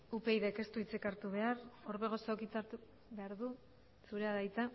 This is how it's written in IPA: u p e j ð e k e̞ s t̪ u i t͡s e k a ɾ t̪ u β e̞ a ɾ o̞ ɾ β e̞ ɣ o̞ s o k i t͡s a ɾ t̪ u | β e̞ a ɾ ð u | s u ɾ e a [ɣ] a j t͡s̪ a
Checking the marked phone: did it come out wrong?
yes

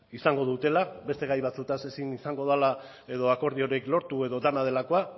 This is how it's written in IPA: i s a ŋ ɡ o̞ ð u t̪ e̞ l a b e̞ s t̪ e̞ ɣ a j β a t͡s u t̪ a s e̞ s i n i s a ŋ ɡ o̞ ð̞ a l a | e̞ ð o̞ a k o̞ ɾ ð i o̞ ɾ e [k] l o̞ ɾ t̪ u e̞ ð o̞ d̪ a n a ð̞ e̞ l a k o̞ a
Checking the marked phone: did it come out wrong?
no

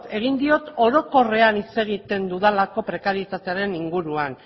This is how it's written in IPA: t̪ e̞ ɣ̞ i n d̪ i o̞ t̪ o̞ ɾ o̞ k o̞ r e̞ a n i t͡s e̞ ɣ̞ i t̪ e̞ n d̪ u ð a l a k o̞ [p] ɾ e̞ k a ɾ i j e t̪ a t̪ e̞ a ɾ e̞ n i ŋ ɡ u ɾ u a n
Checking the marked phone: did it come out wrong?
no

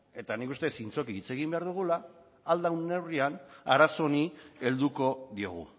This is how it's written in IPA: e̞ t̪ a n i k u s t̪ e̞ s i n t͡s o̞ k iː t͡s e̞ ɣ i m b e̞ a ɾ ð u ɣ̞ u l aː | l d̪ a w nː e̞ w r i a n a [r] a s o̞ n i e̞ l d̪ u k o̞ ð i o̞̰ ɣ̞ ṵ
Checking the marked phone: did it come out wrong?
yes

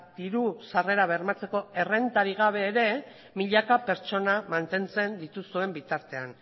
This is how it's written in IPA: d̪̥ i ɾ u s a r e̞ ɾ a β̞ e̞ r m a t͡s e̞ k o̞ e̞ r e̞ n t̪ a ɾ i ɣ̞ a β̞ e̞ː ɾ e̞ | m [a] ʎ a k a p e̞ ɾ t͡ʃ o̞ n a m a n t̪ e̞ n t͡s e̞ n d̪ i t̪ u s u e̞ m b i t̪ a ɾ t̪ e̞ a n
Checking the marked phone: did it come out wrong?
yes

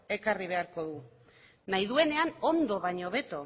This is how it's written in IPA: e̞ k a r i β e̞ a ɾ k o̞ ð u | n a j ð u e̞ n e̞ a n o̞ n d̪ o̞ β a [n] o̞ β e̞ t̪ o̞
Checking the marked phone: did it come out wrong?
yes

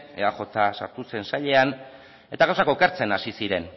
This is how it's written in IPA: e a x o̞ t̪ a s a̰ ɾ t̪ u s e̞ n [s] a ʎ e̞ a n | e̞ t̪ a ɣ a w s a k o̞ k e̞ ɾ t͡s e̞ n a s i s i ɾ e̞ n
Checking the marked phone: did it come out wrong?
no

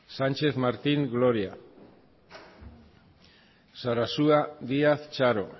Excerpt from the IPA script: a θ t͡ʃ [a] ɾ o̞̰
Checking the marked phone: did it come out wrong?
no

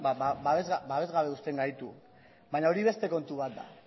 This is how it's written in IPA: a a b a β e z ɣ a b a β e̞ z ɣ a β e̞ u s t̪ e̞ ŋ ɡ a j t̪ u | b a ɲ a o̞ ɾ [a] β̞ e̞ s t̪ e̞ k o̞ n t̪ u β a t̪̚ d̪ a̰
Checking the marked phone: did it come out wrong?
yes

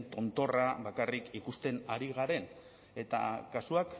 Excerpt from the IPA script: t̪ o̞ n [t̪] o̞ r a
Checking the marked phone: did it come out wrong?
no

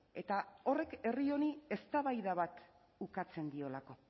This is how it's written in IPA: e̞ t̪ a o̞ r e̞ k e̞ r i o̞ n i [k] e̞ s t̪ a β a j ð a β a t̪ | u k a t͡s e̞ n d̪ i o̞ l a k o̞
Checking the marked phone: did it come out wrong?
yes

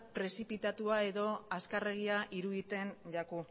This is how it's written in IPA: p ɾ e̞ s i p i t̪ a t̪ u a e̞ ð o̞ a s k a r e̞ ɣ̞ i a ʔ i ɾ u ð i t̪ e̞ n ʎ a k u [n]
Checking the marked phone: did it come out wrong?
yes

